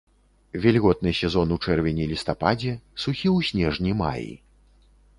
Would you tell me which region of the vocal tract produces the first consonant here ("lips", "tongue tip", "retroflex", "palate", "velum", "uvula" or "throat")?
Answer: lips